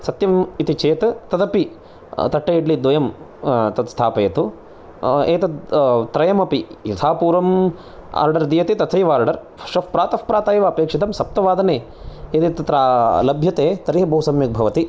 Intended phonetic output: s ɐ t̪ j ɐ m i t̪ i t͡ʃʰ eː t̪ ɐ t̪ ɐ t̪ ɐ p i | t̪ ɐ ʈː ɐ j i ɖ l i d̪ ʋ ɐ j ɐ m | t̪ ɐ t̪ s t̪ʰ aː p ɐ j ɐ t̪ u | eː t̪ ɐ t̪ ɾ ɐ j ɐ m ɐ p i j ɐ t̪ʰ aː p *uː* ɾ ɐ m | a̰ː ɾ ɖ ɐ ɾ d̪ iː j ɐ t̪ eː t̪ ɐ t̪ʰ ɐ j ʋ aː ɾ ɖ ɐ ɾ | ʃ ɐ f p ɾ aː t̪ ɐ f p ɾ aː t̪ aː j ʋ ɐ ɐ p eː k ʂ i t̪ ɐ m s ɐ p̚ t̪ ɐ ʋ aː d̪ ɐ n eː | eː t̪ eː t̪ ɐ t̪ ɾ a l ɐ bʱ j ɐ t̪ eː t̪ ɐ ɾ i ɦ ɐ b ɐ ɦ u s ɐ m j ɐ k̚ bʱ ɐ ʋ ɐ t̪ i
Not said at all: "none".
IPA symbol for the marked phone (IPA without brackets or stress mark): uː